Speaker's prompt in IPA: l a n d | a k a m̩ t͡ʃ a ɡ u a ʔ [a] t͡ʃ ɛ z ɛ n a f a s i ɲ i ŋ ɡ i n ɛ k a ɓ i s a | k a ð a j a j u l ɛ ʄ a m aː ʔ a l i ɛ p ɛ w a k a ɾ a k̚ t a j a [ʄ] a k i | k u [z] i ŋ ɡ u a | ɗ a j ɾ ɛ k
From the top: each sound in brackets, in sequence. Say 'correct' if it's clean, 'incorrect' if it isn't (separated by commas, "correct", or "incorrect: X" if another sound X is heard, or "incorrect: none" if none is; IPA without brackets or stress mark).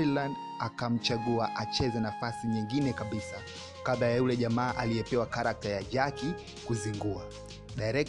correct, correct, correct